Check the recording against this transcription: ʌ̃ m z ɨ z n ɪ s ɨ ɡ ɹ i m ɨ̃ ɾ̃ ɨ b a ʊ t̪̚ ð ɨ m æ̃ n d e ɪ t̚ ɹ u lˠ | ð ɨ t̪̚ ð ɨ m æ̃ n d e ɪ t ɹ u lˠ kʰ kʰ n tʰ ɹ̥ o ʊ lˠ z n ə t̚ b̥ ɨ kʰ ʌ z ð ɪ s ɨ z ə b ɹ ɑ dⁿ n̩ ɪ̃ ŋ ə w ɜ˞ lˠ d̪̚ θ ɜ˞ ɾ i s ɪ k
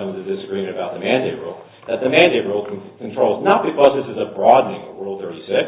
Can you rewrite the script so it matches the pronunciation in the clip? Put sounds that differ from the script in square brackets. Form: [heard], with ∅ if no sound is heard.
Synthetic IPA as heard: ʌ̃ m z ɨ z [d] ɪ s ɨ ɡ ɹ i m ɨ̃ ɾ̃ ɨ b a ʊ t̪̚ ð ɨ m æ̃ n d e ɪ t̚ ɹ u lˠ | ð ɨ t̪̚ ð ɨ m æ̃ n d e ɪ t ɹ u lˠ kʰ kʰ n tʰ ɹ̥ o ʊ lˠ z n ə t̚ b̥ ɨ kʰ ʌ z ð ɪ s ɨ z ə b ɹ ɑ dⁿ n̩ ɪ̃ ŋ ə w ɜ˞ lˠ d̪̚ θ ɜ˞ ɾ i s ɪ k

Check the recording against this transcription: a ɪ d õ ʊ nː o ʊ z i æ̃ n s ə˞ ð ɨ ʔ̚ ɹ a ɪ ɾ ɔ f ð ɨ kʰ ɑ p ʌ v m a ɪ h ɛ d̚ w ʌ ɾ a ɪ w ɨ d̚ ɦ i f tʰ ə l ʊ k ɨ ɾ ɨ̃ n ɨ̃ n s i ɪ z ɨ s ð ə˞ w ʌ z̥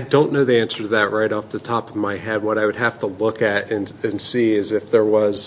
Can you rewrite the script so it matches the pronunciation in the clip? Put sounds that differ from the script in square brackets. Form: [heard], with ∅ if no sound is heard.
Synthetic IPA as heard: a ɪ d õ [ʊ̃] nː o ʊ [ð] i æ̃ n s ə˞ ð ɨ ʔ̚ ɹ a ɪ ɾ ɔ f ð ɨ [tʰ] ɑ p ʌ v m a ɪ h ɛ d̚ w ʌ ɾ a ɪ w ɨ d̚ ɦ [æ] f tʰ ə l ʊ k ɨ ɾ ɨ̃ n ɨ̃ n s i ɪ z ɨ [f] ð ə˞ w ʌ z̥

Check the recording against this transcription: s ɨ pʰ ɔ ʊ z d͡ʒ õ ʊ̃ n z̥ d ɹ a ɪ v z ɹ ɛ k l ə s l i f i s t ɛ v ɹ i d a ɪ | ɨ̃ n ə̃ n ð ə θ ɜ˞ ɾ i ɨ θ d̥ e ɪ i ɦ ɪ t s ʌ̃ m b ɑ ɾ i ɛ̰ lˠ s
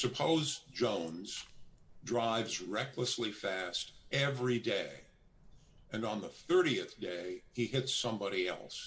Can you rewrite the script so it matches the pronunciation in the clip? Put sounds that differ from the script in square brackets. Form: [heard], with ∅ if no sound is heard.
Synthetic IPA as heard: s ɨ pʰ [o] ʊ z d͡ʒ õ ʊ̃ n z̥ d ɹ a ɪ v z ɹ ɛ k l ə s l i f [æ] s t ɛ v ɹ i d [e] ɪ | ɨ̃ n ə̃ n ð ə θ ɜ˞ ɾ i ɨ θ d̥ e ɪ i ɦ ɪ t s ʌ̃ m b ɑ ɾ i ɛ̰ lˠ s

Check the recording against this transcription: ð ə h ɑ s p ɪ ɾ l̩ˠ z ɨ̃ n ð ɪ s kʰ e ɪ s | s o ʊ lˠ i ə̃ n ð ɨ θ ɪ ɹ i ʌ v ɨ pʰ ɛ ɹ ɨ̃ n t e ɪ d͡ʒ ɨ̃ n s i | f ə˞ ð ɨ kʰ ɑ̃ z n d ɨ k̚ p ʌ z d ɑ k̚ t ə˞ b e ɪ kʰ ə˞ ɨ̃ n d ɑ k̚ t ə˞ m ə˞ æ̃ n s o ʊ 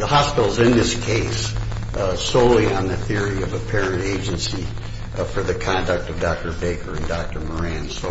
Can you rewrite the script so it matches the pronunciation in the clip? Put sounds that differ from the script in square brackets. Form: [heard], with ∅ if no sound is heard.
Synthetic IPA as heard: ð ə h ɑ s p ɪ ɾ l̩ˠ z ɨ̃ n ð ɪ s kʰ e ɪ s | s o ʊ lˠ i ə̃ n ð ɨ θ ɪ ɹ i ʌ v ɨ pʰ ɛ ɹ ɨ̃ n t e ɪ d͡ʒ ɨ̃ n s i | f ə˞ ð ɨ kʰ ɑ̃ [∅] n d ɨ k̚ [t] ʌ [v] d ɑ k̚ t ə˞ b e ɪ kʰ ə˞ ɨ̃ n d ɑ k̚ t ə˞ m ə˞ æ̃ n s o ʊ

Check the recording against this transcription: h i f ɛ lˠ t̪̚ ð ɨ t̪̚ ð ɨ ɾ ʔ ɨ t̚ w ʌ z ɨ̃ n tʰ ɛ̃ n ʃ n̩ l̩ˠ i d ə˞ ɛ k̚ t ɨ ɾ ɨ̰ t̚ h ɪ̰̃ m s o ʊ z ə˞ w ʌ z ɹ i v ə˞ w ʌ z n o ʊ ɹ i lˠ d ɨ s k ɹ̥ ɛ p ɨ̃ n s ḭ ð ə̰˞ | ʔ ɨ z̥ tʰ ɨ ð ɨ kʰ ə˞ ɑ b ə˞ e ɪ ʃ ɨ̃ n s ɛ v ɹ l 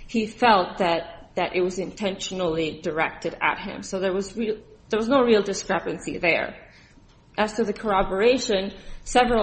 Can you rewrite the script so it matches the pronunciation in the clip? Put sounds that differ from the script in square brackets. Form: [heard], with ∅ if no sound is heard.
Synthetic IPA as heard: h i f ɛ lˠ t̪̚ ð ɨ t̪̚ ð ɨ ɾ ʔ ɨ t̚ w ʌ z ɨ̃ n tʰ ɛ̃ n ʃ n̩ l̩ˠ i d ə˞ ɛ k̚ t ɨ ɾ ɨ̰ t̚ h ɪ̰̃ m s o ʊ [ð] ə˞ w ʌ z ɹ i [ð] ə˞ w ʌ z n o ʊ ɹ i lˠ d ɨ s k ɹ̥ ɛ p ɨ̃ n s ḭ ð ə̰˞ | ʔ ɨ z̥ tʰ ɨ ð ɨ kʰ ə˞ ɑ b ə˞ e ɪ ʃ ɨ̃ n s ɛ v ɹ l

